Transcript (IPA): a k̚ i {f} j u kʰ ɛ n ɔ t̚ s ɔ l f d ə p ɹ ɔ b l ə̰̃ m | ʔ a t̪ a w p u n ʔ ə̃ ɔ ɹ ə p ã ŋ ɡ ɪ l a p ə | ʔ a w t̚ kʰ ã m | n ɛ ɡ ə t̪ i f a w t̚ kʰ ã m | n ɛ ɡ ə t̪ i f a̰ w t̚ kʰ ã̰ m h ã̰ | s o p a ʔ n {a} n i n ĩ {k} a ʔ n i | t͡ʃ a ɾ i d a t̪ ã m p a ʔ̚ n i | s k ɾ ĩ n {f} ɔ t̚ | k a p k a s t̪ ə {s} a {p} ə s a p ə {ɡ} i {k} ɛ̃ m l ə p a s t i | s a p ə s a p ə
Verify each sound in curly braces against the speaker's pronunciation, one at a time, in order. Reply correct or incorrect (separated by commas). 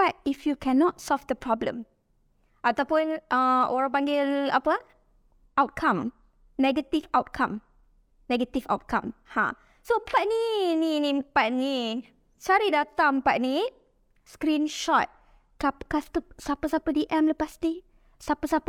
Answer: correct, incorrect, incorrect, incorrect, correct, correct, incorrect, incorrect